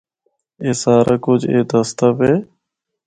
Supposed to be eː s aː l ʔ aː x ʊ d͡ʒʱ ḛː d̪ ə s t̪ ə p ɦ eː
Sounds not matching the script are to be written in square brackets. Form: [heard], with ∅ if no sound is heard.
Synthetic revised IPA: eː s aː [ɾ] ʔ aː [k] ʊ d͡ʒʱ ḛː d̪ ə s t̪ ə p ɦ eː

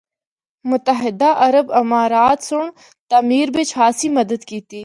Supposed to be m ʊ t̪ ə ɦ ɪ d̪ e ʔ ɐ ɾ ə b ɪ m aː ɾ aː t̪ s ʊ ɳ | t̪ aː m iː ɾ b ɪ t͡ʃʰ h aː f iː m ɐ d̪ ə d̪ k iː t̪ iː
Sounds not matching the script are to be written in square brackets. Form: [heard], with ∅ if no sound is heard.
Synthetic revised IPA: m ʊ t̪ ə ɦ ɪ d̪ [a] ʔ ɐ ɾ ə b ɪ m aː ɾ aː t̪ s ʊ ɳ | t̪ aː m iː ɾ b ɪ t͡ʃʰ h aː [s] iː m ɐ d̪ ə d̪ k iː t̪ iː

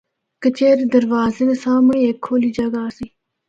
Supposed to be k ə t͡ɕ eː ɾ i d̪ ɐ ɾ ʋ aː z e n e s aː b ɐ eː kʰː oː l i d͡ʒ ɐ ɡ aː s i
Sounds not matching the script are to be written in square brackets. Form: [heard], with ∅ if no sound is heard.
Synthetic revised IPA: k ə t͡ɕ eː ɾ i d̪ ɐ ɾ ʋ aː z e n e s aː [m] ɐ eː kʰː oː l i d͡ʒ ɐ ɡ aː s i

